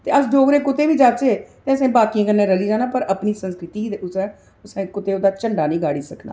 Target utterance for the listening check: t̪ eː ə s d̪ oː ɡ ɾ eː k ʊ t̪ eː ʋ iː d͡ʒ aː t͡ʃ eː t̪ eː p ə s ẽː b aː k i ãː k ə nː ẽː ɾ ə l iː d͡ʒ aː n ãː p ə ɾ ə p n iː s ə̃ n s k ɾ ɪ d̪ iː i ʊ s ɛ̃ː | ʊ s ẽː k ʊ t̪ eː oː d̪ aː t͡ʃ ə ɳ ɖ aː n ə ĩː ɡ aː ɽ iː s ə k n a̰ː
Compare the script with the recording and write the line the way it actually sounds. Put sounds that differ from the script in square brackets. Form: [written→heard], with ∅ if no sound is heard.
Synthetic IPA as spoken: t̪ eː ə s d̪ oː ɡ ɾ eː k ʊ t̪ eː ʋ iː d͡ʒ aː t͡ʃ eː t̪ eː [p→∅] ə s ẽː b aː k i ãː k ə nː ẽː ɾ ə l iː d͡ʒ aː n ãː p ə ɾ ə p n iː s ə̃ n s k ɾ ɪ [d̪→t̪] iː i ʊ s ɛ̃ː | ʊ s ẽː k ʊ t̪ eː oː d̪ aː t͡ʃ ə ɳ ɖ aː n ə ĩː ɡ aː ɽ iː s ə k n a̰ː

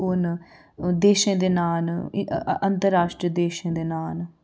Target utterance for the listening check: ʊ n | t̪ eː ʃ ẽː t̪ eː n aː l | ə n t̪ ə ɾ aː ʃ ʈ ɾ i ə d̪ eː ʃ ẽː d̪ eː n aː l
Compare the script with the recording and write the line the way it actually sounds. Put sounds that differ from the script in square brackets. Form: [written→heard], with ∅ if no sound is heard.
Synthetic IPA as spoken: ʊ n | [t̪→d̪] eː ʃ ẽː [t̪→d̪] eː n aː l | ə n t̪ ə ɾ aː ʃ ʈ ɾ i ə d̪ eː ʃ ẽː d̪ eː n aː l

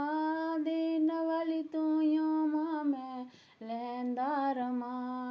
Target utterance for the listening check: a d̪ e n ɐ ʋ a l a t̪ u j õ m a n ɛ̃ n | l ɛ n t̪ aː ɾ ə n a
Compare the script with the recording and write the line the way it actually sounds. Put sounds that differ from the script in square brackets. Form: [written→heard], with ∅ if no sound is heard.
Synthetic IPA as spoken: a d̪ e n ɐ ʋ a l [a→i] t̪ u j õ m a [n→m] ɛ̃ [n→∅] | l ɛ n [t̪→d̪] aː ɾ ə [n→m] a

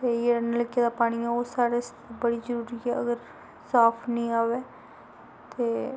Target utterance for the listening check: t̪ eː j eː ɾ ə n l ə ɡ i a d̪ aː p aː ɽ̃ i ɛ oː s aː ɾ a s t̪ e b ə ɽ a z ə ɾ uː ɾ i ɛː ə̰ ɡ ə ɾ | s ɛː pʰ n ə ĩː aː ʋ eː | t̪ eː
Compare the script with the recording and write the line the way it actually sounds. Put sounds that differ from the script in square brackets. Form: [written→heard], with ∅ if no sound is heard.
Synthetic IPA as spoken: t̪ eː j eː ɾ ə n l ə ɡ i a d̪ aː p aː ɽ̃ i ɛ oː s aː ɾ [a→e] s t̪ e b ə ɽ [a→i] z ə ɾ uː ɾ i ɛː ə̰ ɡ ə ɾ | s [ɛː→aː] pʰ n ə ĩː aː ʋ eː | t̪ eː

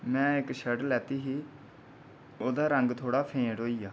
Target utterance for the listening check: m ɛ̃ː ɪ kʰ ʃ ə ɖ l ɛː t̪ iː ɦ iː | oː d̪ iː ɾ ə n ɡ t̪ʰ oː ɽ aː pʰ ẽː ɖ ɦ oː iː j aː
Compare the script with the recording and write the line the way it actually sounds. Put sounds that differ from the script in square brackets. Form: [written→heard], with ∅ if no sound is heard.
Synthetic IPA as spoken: m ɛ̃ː ɪ [kʰ→k] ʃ ə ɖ l ɛː t̪ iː ɦ iː | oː d̪ [iː→aː] ɾ ə [n→ŋ] ɡ t̪ʰ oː ɽ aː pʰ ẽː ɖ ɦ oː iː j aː

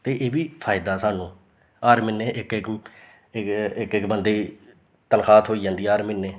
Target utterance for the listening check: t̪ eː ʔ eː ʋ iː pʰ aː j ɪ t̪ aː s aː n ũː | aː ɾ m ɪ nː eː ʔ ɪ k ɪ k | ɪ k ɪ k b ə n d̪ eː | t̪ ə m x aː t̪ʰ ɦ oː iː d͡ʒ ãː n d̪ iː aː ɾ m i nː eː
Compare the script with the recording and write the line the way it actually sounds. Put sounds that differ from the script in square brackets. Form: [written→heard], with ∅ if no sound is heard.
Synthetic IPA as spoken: t̪ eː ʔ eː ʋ iː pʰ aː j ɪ [t̪→d̪] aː s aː n ũː | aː ɾ m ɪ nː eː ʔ ɪ k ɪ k | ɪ k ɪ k b ə n d̪ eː | t̪ ə [m→n] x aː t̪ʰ ɦ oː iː d͡ʒ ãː n d̪ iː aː ɾ m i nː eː

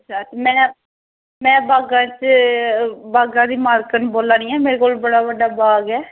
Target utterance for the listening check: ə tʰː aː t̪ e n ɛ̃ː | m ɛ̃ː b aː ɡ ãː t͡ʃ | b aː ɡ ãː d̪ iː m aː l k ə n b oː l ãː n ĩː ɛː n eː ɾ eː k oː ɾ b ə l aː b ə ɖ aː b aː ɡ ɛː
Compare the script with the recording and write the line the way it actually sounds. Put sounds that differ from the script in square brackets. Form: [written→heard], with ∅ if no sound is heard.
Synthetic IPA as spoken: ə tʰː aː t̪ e [n→m] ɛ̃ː | m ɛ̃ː b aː ɡ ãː t͡ʃ | b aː ɡ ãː d̪ iː m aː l k ə n b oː l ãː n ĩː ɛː [n→m] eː ɾ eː k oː [ɾ→l] b ə [l→ɽ] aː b ə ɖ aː b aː ɡ ɛː

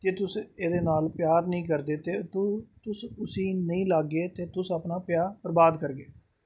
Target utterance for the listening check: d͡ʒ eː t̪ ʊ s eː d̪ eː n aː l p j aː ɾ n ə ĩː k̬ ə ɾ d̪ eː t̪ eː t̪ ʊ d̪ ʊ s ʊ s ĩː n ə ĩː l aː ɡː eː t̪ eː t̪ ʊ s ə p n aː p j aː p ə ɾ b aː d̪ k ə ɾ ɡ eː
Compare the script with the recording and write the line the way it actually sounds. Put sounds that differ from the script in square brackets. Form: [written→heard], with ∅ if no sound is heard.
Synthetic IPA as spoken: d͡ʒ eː t̪ ʊ s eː d̪ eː n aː l p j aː ɾ n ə ĩː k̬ ə ɾ d̪ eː t̪ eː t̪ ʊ [d̪→t̪] ʊ s ʊ s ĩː n ə ĩː l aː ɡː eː t̪ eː t̪ ʊ s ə p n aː p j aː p ə ɾ b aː d̪ k ə ɾ ɡ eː

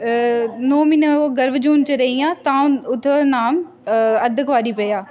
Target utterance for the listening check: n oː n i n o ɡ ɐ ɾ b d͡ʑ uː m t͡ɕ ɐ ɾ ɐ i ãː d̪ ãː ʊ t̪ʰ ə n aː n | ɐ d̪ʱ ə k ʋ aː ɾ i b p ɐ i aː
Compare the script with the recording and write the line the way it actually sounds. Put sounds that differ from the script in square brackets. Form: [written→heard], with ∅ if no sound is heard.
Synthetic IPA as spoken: n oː [n→m] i n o ɡ ɐ ɾ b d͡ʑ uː [m→n] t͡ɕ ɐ ɾ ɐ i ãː [d̪→t̪] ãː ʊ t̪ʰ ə n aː [n→m] | ɐ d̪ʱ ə k ʋ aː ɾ i [b→∅] p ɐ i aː

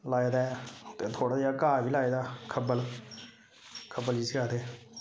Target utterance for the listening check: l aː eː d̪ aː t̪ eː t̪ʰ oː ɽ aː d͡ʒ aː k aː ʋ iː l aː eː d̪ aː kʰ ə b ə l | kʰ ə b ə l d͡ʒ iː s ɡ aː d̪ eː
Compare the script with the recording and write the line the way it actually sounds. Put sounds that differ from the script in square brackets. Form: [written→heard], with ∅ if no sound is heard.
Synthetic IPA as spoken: l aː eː d̪ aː t̪ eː t̪ʰ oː ɽ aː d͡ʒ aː k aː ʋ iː l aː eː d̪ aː kʰ ə b ə l | kʰ ə b ə l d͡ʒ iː s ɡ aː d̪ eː

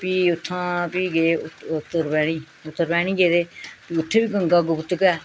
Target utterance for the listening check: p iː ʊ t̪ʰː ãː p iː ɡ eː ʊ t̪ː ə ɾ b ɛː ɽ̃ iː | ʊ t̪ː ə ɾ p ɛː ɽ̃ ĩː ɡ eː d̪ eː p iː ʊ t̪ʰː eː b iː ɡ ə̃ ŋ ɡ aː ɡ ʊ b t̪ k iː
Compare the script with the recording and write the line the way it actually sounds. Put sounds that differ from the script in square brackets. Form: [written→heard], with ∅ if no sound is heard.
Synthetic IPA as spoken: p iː ʊ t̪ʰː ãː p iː ɡ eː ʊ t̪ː ə ɾ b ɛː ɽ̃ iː | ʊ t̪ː ə ɾ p ɛː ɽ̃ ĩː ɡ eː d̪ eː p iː ʊ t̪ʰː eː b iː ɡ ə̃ ŋ ɡ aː ɡ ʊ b t̪ k [iː→ɛː]

